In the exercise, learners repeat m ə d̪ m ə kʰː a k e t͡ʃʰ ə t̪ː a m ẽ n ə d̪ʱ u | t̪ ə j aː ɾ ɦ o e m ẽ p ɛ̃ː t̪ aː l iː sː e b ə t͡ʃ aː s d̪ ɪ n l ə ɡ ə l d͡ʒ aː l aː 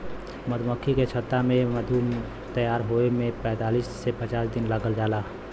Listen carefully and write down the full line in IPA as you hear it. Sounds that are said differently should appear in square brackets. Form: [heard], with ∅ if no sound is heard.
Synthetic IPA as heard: m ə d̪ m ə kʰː [i] k e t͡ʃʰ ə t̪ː a m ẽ [m] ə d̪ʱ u | t̪ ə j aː ɾ ɦ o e m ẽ p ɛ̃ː t̪ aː l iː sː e [p] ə t͡ʃ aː s d̪ ɪ n l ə ɡ ə l d͡ʒ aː l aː